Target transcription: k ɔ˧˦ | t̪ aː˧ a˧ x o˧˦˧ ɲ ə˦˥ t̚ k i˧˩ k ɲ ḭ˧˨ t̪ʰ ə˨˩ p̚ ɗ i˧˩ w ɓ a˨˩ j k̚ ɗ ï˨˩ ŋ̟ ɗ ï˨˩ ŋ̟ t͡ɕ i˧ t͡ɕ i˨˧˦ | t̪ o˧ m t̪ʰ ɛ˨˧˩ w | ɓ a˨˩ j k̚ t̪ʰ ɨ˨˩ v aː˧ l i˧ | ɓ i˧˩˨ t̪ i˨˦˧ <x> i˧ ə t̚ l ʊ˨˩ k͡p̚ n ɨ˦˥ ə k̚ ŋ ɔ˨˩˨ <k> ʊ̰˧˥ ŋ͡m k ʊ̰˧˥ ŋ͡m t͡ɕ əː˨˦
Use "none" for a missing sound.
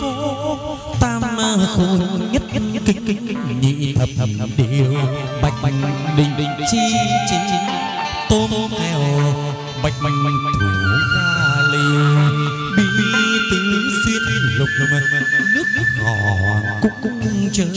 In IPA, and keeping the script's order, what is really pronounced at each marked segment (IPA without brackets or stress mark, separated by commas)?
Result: s, k